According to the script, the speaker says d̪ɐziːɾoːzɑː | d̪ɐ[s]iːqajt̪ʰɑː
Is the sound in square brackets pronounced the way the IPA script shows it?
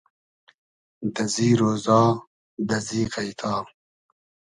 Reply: no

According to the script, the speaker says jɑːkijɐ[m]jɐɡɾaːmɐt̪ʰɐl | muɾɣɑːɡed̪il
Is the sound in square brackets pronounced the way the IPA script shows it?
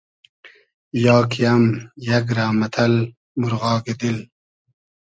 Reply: yes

